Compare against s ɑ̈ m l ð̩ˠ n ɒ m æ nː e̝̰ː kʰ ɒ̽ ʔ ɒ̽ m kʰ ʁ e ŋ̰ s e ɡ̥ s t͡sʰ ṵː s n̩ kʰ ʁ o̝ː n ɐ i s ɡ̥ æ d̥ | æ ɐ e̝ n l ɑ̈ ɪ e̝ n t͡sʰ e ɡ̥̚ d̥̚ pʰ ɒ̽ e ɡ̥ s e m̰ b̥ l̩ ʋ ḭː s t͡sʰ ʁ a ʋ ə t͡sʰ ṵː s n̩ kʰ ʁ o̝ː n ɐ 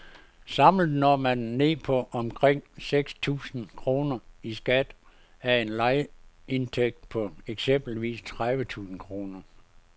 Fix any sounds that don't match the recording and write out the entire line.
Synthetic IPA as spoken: s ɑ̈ m l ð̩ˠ n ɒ m æ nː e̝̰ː pʰ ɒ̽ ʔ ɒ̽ m kʰ ʁ e ŋ̰ s e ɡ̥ s t͡sʰ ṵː s n̩ kʰ ʁ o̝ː n ɐ i s ɡ̥ æ d̥ | æ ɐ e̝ n l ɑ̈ ɪ e̝ n t͡sʰ e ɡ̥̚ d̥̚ pʰ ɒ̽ e ɡ̥ s e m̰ b̥ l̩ ʋ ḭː s t͡sʰ ʁ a ʋ ə t͡sʰ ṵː s n̩ kʰ ʁ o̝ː n ɐ